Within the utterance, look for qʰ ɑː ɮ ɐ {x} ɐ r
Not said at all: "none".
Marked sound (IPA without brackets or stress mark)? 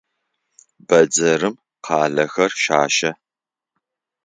x